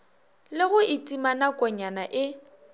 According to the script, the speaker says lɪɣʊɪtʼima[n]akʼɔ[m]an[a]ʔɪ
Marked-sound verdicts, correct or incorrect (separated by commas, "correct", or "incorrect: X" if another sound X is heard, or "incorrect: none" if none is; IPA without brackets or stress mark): correct, incorrect: ɲ, correct